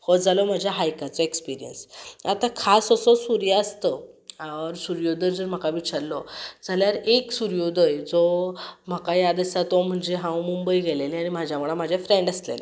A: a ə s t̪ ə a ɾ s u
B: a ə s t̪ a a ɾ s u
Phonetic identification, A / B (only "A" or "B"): A